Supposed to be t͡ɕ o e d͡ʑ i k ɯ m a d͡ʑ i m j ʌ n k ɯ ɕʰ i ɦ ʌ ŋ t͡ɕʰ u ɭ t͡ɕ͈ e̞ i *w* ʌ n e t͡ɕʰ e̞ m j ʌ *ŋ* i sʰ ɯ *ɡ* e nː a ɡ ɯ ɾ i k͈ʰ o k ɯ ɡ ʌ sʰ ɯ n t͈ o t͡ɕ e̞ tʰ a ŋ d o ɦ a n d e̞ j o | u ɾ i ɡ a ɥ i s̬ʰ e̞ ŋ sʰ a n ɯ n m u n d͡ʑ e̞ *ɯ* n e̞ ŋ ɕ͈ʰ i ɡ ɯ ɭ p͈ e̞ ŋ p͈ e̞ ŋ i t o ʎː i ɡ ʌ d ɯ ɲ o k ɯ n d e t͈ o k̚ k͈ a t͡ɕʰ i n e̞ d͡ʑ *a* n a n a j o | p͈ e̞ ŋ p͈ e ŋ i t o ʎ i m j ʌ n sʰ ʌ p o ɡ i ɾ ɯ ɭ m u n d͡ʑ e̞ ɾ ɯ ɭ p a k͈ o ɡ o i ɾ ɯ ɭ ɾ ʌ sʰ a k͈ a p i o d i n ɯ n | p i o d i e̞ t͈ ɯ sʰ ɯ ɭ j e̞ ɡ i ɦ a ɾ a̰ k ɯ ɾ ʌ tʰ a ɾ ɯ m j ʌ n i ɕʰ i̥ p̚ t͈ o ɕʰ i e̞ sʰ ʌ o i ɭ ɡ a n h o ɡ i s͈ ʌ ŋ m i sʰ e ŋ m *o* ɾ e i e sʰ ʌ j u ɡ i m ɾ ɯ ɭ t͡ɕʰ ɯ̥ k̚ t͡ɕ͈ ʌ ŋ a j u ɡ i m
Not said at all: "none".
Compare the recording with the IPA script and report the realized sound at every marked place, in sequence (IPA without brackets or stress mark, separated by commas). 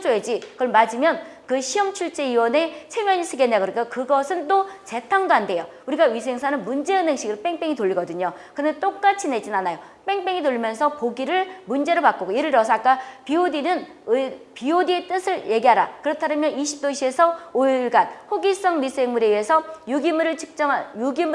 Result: w, ɲ, ɡ, ɯ, i, u